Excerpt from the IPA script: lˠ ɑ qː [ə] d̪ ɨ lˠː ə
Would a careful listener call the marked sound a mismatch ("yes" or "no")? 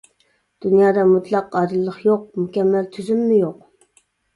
yes